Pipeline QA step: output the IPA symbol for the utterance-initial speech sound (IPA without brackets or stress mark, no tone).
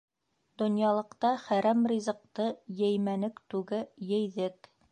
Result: d̪